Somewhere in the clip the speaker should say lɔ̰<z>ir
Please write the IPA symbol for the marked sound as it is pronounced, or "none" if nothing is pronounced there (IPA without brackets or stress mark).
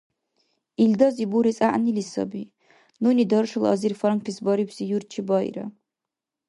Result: z